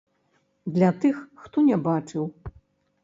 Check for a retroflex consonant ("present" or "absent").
present